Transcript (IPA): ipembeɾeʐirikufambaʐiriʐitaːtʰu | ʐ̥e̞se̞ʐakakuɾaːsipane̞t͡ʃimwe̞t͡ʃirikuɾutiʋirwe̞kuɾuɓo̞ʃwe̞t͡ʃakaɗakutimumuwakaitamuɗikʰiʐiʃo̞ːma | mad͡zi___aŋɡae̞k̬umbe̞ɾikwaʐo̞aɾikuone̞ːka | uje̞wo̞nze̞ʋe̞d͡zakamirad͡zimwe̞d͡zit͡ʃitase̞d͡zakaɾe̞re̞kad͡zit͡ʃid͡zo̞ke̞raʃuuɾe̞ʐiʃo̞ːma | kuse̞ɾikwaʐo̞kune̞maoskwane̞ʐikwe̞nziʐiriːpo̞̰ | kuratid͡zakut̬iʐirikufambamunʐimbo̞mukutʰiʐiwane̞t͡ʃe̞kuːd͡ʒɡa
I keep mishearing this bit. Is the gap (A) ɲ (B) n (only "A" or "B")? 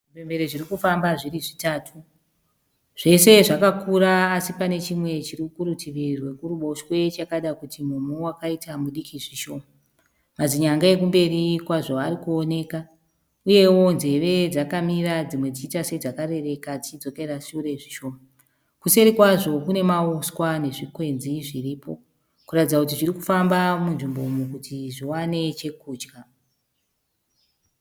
A